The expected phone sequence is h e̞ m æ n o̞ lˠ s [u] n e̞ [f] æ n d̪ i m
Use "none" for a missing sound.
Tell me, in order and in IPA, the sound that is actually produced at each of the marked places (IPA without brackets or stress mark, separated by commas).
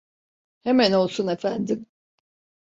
u, f